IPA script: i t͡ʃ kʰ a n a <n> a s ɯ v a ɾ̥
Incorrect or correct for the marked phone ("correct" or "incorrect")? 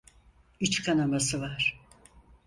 incorrect